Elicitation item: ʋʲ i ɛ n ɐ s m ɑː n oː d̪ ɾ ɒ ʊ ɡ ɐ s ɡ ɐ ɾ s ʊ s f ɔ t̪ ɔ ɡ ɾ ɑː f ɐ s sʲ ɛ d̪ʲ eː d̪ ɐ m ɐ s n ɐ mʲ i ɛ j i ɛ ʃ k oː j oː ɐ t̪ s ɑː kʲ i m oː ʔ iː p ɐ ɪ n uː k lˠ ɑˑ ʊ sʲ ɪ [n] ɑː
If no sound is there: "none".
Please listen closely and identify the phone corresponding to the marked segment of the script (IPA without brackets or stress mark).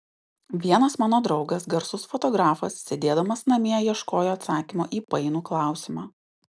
m